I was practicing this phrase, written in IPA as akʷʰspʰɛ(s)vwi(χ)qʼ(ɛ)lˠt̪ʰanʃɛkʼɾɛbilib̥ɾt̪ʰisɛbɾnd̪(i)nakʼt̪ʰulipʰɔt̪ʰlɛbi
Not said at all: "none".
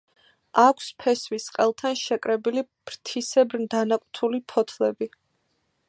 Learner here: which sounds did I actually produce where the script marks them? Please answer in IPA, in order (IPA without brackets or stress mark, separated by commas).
s, s, ɛ, a